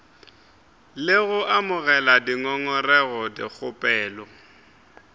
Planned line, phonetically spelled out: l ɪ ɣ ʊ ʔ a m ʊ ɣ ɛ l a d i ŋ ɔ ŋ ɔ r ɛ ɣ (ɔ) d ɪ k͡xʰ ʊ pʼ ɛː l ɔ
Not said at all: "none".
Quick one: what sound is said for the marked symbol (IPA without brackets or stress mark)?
ɔ